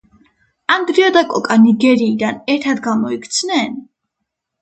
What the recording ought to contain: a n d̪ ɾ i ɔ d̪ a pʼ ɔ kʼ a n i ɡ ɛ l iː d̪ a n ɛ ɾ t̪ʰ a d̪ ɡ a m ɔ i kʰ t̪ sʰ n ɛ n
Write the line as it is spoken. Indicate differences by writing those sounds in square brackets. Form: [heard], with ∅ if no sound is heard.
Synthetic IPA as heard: a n d̪ ɾ i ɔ d̪ a [kʼ] ɔ kʼ a n i ɡ ɛ [ɾ] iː d̪ a n ɛ ɾ t̪ʰ a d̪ ɡ a m ɔ i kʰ t̪ sʰ n ɛ n

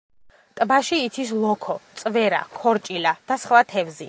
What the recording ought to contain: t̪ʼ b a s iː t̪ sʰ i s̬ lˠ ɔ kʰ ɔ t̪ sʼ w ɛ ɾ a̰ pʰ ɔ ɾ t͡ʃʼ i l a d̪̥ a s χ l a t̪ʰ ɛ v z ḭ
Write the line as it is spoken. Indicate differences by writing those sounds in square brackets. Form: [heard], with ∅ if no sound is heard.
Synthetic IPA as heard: t̪ʼ b a [ʃ] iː t̪ sʰ i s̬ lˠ ɔ kʰ ɔ t̪ sʼ [v] ɛ ɾ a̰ [kʰ] ɔ ɾ t͡ʃʼ i l a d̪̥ a s χ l a t̪ʰ ɛ v z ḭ

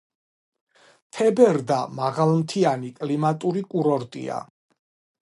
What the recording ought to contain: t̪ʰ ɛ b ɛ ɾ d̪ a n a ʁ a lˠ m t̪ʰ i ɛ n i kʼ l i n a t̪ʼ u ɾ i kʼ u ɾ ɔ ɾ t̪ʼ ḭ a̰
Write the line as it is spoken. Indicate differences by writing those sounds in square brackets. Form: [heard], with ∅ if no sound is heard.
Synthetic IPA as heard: t̪ʰ ɛ b ɛ ɾ d̪ a [m] a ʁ a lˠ m t̪ʰ i [a] n i kʼ l i [m] a t̪ʼ u ɾ i kʼ u ɾ ɔ ɾ t̪ʼ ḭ a̰

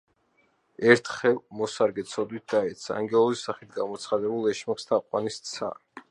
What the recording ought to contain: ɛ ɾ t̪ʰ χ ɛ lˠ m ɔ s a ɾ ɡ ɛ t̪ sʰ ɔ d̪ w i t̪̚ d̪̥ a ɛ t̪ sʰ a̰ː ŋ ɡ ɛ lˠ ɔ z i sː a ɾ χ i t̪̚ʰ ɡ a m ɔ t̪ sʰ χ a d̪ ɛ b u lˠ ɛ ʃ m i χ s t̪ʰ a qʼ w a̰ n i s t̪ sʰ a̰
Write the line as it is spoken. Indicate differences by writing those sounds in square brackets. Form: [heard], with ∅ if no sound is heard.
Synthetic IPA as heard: ɛ ɾ t̪ʰ χ ɛ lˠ m ɔ s a ɾ ɡ ɛ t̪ sʰ ɔ d̪ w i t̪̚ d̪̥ a ɛ t̪ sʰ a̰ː ŋ ɡ ɛ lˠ ɔ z i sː a [∅] χ i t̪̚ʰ ɡ a m ɔ t̪ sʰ χ a d̪ ɛ b u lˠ ɛ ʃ m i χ s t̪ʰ a qʼ w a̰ n i s t̪ sʰ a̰

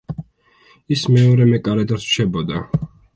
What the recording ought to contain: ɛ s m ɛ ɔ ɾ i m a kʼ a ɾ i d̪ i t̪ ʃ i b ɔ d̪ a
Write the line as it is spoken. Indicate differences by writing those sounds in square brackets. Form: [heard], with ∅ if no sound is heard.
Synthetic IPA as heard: [i] s m ɛ ɔ ɾ [ɛ] m [ɛ] kʼ a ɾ [ɛ] d̪ [a] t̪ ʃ [ɛ] b ɔ d̪ a

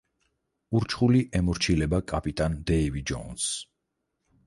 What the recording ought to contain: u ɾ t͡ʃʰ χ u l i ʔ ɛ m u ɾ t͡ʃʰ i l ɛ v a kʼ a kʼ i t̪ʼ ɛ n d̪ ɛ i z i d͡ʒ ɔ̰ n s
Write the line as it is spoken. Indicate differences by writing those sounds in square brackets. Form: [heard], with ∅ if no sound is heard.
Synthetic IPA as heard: u ɾ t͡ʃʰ χ u l i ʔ ɛ m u ɾ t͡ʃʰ i l ɛ [b] a kʼ a [pʼ] i t̪ʼ [a] n d̪ ɛ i [v] i d͡ʒ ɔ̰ n s

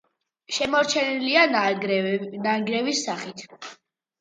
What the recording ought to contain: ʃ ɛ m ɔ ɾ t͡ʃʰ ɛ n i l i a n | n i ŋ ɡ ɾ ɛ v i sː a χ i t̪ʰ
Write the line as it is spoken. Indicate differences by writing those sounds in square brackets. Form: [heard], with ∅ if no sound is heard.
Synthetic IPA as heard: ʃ ɛ m ɔ ɾ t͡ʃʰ ɛ n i l i a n | n [a] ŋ ɡ ɾ ɛ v i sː a χ i t̪ʰ

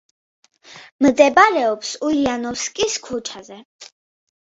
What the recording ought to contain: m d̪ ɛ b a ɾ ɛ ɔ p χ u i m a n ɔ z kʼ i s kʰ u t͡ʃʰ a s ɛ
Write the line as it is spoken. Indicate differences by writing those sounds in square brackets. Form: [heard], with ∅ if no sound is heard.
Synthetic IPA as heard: m d̪ ɛ b a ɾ ɛ ɔ p [s] u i [∅] a n ɔ [s] kʼ i s kʰ u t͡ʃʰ a [z] ɛ

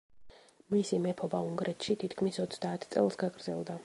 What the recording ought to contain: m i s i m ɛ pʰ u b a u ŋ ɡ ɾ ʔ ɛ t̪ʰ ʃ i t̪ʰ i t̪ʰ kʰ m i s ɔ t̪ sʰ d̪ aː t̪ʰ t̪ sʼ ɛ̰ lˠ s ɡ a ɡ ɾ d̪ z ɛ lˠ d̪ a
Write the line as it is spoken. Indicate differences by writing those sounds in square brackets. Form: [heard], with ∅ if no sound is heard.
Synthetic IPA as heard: m i s i m ɛ pʰ [ɔ] b a u ŋ ɡ ɾ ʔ ɛ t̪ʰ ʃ i t̪ʰ i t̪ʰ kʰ m i s ɔ t̪ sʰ d̪ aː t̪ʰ t̪ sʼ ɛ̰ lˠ s ɡ a ɡ ɾ d̪ z ɛ lˠ d̪ a

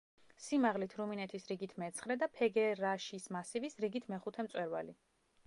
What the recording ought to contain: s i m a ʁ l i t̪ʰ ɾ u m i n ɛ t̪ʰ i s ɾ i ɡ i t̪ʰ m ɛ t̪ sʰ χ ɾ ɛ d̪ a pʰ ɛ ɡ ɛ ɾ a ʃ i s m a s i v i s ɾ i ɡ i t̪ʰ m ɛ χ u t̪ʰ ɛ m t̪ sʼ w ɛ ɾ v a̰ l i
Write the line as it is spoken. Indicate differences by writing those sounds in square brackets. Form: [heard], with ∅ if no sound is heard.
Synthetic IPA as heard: s i m a ʁ l i t̪ʰ ɾ u m i n ɛ t̪ʰ i s ɾ i ɡ i t̪ʰ m ɛ t̪ sʰ χ ɾ ɛ d̪ a pʰ ɛ ɡ ɛ ɾ a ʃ i s m a s i v i s ɾ i ɡ i t̪ʰ m ɛ χ u t̪ʰ ɛ m t̪ sʼ w ɛ ɾ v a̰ l i

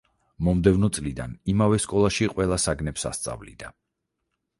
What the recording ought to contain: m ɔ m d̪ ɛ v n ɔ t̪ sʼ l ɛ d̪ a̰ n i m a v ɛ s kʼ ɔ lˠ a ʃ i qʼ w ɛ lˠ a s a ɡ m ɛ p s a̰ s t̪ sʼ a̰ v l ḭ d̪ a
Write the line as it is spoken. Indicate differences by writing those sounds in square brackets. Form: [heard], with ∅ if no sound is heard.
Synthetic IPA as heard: m ɔ m d̪ ɛ v n ɔ t̪ sʼ l [i] d̪ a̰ n i m a v ɛ s kʼ ɔ lˠ a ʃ i qʼ w ɛ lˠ a s a ɡ [n] ɛ p s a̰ s t̪ sʼ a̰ v l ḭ d̪ a

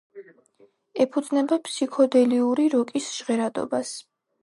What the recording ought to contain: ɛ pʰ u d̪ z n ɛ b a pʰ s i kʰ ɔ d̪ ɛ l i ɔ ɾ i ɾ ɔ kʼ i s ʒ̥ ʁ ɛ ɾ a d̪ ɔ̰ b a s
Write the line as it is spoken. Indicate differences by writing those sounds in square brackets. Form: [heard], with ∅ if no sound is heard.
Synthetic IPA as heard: ɛ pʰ u d̪ z n ɛ b a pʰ s i kʰ ɔ d̪ ɛ l i [u] ɾ i ɾ ɔ kʼ i s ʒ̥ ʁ ɛ ɾ a d̪ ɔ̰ b a s

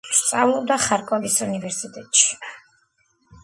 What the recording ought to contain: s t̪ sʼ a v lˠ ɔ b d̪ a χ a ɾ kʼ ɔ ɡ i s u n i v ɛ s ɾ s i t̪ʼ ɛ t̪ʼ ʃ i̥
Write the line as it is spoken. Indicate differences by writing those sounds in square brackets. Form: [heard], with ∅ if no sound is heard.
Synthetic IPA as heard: s t̪ sʼ a v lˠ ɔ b d̪ a χ a ɾ kʼ ɔ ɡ i s u n i v ɛ [∅] ɾ s i t̪ʼ ɛ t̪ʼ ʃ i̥

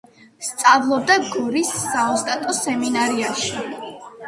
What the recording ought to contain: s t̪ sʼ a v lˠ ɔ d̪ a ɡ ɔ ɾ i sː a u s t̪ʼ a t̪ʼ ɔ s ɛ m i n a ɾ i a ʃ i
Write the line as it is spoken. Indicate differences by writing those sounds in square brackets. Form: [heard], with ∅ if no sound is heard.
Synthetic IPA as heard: s t̪ sʼ a v lˠ ɔ d̪ a ɡ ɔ ɾ i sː a [ɔ] s t̪ʼ a t̪ʼ ɔ s ɛ m i n a ɾ i a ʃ i

